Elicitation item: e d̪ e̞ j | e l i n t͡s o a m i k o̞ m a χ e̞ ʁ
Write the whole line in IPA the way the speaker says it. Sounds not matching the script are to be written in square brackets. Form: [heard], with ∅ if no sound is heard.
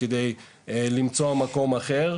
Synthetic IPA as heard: e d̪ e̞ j | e l i [m] t͡s o a m [a] k o̞ m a χ e̞ ʁ